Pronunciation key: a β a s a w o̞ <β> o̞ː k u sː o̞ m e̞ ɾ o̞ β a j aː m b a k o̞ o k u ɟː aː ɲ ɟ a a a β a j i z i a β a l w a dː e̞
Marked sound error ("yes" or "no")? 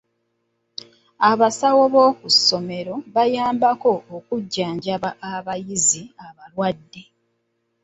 no